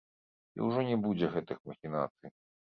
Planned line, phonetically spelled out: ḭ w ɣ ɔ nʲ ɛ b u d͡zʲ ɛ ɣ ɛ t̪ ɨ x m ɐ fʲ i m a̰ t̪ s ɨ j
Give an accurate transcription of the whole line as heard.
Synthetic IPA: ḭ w ʐ ɔ nʲ ɛ b u d͡zʲ ɛ ɣ ɛ t̪ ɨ x m ɐ xʲ i n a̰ t̪ s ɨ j